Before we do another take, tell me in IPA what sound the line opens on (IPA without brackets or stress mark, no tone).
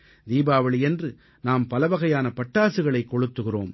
d̪